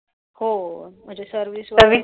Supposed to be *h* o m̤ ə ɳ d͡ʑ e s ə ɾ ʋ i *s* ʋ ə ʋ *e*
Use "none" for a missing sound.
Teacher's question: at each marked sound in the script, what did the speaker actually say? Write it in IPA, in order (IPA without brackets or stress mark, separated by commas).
h, s, i